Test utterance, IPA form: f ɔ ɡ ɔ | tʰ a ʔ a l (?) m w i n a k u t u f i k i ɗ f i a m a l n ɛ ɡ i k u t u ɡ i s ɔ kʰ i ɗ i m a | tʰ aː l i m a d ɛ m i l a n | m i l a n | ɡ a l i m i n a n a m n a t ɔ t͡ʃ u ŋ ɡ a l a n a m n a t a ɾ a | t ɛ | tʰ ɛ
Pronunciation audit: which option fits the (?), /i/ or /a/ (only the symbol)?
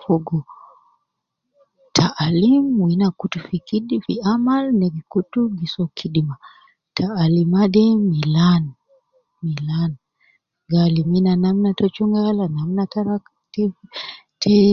i